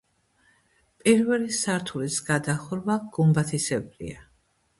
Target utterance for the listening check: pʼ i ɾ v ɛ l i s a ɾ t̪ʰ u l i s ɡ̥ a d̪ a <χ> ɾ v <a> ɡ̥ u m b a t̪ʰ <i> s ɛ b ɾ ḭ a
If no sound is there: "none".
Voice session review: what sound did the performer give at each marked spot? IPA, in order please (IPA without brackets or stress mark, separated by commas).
χ, a, i